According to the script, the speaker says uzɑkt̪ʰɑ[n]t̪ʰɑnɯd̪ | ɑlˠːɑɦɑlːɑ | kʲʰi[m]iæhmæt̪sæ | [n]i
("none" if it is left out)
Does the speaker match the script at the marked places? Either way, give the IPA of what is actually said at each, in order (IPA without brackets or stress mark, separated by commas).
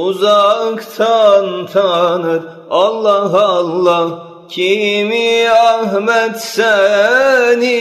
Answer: n, m, n